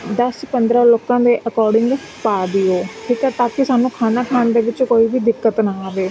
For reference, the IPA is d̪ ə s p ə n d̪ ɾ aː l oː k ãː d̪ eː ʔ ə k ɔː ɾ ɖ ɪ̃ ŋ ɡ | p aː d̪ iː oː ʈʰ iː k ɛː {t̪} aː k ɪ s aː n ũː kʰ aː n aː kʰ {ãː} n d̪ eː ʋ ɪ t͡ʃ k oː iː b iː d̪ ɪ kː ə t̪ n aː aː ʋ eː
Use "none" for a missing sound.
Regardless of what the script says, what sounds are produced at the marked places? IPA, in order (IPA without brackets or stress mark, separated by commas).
t̪, aː